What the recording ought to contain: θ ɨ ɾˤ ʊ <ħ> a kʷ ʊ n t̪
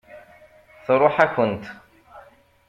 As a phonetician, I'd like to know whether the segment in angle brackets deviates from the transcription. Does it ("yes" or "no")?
no